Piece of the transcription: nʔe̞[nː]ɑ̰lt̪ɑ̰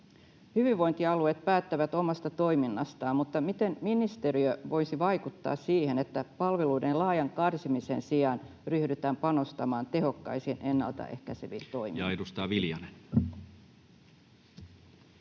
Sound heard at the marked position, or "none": nː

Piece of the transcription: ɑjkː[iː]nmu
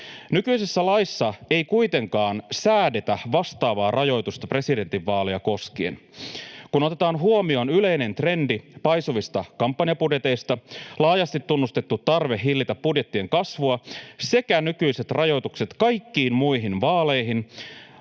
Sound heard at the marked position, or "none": iː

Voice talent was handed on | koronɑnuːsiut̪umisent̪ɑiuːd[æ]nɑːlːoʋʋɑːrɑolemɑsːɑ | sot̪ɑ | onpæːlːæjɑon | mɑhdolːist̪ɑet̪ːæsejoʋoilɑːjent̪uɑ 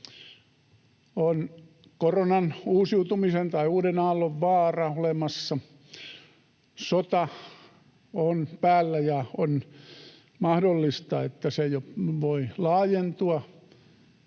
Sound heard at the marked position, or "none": e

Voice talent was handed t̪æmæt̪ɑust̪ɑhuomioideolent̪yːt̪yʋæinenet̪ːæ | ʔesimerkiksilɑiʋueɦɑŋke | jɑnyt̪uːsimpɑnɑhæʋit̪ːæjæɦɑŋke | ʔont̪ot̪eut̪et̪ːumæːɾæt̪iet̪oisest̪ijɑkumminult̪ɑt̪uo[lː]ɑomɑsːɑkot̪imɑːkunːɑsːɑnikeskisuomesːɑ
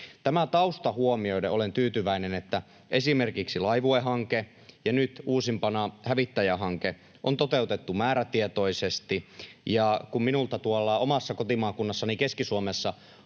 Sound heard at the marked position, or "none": lː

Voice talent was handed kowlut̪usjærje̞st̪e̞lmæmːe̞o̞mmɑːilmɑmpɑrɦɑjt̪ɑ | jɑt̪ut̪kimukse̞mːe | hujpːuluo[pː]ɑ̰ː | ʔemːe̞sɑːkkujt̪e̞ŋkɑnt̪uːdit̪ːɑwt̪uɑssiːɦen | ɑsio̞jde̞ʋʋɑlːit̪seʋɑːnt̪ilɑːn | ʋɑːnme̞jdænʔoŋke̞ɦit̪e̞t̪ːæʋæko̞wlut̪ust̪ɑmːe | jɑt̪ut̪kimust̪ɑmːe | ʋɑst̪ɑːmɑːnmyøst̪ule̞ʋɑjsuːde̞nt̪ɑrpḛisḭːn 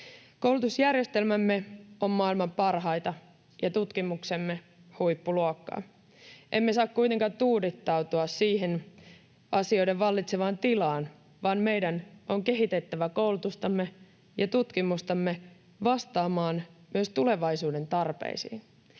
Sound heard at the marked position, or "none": kː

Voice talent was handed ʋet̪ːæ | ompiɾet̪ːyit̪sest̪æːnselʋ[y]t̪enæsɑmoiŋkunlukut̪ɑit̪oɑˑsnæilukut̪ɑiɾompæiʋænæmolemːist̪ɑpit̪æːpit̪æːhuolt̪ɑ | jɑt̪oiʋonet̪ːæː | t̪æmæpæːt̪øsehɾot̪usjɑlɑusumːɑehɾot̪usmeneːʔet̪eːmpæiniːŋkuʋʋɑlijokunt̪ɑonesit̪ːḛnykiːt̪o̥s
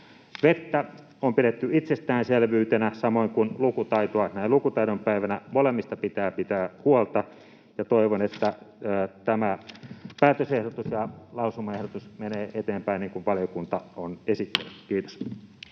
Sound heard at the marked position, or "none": yː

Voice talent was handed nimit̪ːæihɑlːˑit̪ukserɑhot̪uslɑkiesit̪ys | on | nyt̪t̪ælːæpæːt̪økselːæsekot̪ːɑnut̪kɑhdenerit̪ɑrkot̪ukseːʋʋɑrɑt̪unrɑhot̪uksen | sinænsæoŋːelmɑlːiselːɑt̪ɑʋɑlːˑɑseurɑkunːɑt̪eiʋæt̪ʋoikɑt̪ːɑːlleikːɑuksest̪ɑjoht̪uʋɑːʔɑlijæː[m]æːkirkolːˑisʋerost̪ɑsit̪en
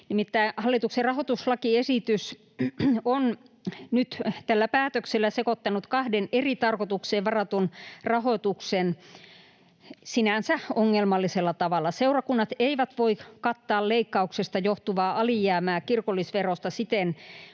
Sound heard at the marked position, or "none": m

